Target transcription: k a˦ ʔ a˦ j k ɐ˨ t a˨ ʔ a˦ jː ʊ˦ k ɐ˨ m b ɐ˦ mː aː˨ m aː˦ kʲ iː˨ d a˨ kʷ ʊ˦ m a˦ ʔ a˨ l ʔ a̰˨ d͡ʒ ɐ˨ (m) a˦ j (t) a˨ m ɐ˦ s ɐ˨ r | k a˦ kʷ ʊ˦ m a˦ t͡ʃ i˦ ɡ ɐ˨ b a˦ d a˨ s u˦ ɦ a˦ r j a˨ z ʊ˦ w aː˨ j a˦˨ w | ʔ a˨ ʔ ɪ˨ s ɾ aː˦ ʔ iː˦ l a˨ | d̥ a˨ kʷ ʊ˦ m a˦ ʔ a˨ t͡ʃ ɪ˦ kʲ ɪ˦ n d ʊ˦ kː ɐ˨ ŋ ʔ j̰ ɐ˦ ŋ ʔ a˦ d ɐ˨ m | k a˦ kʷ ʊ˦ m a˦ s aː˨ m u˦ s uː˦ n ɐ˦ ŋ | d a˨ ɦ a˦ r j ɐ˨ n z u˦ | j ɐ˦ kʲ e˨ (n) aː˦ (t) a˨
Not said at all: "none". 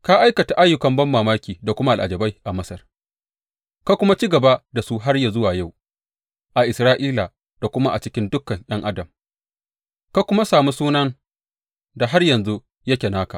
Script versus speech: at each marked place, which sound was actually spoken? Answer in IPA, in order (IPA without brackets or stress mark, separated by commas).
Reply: b, ʔ, n, k